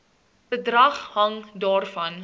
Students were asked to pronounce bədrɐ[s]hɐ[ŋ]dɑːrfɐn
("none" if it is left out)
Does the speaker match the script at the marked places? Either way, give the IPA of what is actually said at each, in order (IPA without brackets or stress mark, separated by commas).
χ, ŋ